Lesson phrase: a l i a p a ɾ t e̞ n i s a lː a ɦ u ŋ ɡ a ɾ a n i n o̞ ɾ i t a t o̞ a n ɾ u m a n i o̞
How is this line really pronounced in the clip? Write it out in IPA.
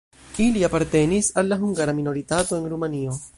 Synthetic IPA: i l i a p a ɾ t e̞ n i s a lː a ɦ u ŋ ɡ a ɾ a m i n o̞ ɾ i t a t o̞ e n ɾ u m a n i o̞